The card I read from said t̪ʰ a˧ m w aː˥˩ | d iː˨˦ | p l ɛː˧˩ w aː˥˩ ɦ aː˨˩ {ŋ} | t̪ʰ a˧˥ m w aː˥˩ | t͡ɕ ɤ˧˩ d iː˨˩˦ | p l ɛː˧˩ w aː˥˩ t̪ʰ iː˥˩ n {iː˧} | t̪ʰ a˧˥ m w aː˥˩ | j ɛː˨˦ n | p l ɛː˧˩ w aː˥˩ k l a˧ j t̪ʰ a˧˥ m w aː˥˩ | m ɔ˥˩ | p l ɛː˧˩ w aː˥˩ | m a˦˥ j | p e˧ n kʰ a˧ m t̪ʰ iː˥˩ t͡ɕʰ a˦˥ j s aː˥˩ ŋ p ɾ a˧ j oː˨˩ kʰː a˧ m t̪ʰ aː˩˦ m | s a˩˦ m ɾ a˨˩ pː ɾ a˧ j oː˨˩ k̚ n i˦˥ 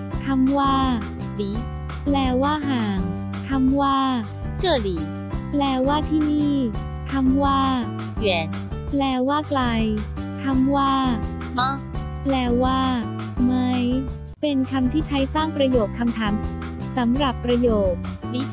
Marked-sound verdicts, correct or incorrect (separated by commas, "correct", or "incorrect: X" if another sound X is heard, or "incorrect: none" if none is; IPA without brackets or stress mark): correct, incorrect: iː˥˩